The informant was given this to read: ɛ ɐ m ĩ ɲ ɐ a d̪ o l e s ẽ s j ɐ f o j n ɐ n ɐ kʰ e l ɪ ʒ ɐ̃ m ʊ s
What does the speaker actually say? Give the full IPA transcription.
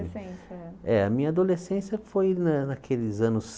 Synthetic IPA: ɛ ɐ m ĩ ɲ ɐ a d̪ o l e s ẽ s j ɐ f o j n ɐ n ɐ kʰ e l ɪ z ɐ̃ n ʊ s